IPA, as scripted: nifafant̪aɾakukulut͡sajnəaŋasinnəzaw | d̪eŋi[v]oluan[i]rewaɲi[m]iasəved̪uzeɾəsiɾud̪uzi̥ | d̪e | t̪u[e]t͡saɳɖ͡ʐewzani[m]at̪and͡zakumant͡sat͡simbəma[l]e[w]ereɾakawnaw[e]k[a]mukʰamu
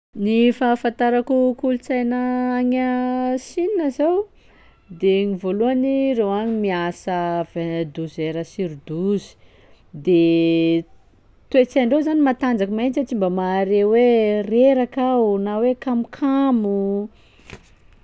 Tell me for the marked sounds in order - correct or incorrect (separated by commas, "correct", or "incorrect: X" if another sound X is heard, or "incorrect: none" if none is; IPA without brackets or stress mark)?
correct, correct, correct, correct, correct, incorrect: ɾ, correct, correct, correct